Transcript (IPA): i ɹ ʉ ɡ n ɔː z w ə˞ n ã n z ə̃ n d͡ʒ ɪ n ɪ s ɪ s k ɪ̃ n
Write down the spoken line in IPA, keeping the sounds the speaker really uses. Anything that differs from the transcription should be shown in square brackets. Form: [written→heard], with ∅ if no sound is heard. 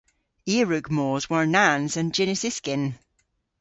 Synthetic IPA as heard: i ɹ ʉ ɡ [n→m] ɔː z w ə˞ n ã n z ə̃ n d͡ʒ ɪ n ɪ s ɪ s k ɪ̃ n